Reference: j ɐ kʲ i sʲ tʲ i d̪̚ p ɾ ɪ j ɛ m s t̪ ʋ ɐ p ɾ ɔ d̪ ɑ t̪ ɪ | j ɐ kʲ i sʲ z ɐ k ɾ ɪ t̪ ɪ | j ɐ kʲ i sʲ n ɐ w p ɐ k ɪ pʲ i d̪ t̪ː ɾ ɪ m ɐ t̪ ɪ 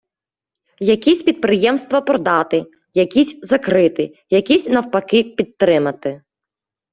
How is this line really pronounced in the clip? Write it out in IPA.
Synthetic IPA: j ɐ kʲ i sʲ pʲ i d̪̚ p ɾ ɪ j ɛ m s t̪ ʋ ɐ p ɾ ɔ d̪ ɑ t̪ ɪ | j ɐ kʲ i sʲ z ɐ k ɾ ɪ t̪ ɪ | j ɐ kʲ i sʲ n ɐ w p ɐ k ɪ pʲ i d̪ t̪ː ɾ ɪ m ɐ t̪ ɪ